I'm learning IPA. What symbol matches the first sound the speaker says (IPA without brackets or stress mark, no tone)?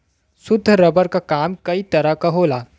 s